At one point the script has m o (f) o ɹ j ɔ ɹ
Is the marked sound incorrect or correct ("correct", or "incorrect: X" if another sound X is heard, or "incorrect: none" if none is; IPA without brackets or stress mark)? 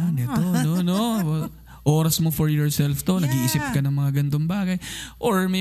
correct